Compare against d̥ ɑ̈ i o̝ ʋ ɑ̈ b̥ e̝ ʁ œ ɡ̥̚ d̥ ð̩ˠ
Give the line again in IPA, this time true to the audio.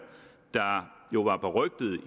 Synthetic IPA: d̥ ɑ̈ j o̝ ʋ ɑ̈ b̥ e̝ ʁ œ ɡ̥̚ d̥ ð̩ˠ